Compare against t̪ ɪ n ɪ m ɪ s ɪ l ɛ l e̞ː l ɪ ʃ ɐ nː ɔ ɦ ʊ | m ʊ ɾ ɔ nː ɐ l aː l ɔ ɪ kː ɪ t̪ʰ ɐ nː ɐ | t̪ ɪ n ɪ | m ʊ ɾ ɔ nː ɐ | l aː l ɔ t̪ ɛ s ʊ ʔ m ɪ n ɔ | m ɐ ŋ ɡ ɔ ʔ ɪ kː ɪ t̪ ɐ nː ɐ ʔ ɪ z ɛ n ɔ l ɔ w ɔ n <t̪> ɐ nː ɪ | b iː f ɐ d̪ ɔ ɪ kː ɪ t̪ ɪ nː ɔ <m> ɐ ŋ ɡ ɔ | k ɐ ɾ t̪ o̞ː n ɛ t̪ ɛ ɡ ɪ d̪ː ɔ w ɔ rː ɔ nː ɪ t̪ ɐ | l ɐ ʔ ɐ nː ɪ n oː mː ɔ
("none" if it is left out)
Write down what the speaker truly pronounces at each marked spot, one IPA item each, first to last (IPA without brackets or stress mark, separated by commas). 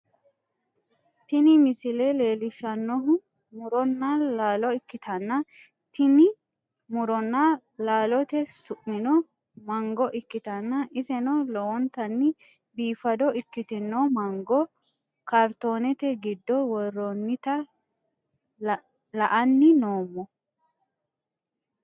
t̪, m